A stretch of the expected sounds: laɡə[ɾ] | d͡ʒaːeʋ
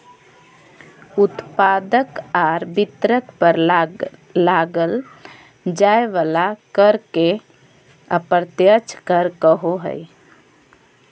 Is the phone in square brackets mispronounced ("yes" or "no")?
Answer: yes